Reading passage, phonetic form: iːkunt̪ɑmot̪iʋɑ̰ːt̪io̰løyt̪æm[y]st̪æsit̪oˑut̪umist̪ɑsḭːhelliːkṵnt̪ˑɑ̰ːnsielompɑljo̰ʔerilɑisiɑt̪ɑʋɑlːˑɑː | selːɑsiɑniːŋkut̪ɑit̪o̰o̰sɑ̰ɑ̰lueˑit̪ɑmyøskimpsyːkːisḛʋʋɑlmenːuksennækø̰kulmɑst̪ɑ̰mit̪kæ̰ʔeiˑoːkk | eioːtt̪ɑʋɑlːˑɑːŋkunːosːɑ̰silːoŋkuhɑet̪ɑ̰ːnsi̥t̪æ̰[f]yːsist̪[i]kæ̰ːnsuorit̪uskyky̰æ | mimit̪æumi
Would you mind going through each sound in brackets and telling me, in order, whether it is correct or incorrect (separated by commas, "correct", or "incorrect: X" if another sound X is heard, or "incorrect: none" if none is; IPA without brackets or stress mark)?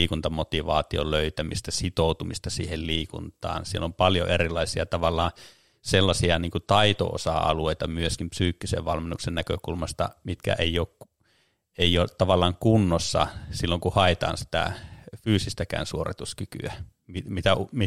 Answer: incorrect: i, correct, incorrect: æ